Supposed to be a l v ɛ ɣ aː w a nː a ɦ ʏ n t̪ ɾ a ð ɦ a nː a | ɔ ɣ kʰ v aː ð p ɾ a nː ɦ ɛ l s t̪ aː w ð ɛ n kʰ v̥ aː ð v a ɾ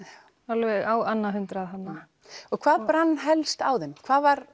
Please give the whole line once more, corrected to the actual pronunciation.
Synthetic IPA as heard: a l v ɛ ɣ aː w a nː a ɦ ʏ n t̪ ɾ a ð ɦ a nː a | ɔ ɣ kʰ v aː ð p ɾ a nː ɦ ɛ l s t̪ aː w ð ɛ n kʰ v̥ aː ð v a ɾ